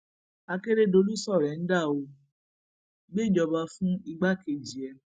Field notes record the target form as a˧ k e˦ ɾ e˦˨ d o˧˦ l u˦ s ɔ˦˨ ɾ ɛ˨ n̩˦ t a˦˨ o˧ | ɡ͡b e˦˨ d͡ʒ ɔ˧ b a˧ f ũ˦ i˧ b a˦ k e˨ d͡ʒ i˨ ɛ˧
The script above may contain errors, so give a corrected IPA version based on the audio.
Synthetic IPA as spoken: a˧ k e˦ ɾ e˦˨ d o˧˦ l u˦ s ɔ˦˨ ɾ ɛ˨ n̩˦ d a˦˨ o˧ | ɡ͡b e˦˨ d͡ʒ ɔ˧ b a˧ f ũ˦ i˧ ɡ͡b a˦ k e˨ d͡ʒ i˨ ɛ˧